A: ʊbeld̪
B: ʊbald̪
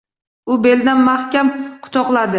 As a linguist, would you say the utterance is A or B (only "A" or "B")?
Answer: A